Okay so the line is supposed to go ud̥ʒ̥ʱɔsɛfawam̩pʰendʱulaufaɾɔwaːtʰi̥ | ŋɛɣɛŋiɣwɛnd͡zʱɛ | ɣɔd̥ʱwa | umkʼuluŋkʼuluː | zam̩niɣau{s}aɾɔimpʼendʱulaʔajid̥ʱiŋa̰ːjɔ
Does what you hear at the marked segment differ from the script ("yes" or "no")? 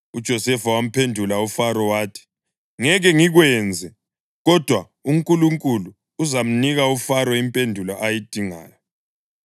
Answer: yes